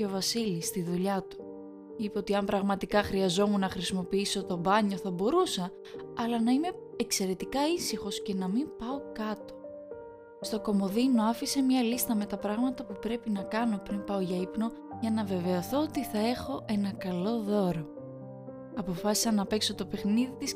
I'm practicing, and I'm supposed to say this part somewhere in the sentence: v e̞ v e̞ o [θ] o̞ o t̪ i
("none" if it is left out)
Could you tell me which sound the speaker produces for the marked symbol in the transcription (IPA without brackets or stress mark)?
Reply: θ